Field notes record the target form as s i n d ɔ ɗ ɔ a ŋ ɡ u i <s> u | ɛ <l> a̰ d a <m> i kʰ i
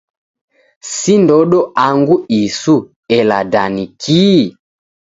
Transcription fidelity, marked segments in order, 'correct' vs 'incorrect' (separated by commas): correct, correct, incorrect